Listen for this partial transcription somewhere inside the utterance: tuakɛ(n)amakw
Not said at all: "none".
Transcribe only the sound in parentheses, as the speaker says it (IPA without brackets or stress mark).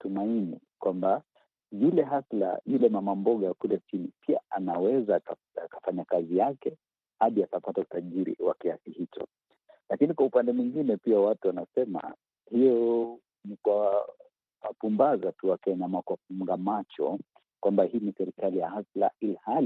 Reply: ɲ